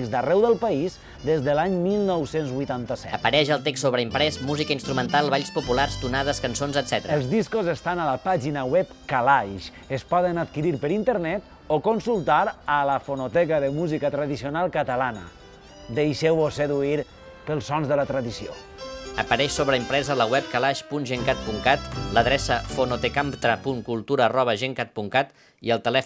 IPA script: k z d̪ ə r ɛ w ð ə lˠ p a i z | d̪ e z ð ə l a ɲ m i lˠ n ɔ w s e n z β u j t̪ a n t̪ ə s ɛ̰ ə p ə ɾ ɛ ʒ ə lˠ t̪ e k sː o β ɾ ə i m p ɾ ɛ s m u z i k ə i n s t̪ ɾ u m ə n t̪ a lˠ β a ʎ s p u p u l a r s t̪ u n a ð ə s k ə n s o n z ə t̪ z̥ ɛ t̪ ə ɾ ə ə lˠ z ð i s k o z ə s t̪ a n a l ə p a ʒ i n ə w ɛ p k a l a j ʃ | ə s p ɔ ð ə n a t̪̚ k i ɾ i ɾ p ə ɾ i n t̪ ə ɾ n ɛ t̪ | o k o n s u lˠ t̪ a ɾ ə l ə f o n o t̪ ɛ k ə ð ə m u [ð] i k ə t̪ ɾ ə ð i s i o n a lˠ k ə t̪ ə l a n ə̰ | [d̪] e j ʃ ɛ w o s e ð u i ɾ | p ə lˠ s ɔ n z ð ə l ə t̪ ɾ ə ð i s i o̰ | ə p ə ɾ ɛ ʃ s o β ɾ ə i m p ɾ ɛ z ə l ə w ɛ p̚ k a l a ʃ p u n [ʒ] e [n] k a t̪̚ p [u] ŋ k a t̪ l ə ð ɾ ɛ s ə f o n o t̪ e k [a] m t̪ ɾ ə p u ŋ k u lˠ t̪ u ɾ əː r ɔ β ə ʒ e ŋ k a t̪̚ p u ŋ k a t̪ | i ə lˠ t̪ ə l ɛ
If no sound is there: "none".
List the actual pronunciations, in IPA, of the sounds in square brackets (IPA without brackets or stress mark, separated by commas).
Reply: z, d̪, ʒ, ŋ, u, a